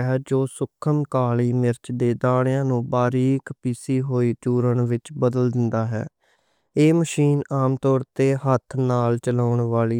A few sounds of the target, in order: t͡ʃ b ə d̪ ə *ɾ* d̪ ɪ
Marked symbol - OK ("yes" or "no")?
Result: no